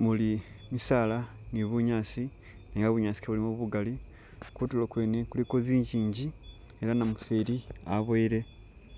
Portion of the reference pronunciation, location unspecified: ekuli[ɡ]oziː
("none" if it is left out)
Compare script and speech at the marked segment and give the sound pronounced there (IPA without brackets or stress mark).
k